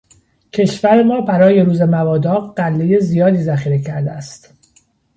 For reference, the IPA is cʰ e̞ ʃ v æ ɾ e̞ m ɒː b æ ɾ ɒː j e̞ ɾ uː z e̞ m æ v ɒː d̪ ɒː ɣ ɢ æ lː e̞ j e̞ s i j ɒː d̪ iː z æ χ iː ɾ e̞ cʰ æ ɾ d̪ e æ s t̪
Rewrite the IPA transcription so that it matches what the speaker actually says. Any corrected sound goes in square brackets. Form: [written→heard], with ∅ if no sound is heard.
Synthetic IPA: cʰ e̞ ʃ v æ ɾ e̞ m ɒː b æ ɾ ɒː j e̞ ɾ uː z e̞ m æ v ɒː d̪ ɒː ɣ ɢ æ lː e̞ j e̞ [s→z] i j ɒː d̪ iː z æ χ iː ɾ e̞ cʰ æ ɾ d̪ e æ s t̪